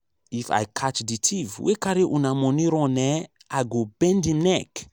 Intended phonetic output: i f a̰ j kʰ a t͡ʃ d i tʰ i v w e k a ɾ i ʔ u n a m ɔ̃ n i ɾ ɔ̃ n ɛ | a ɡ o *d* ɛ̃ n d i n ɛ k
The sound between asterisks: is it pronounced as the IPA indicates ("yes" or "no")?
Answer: no